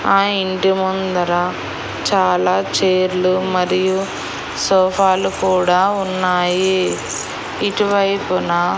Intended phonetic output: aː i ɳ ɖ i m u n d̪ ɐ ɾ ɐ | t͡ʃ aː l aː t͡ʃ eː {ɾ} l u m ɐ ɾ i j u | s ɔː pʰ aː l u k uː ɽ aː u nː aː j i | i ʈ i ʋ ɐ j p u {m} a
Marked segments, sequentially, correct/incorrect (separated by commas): correct, incorrect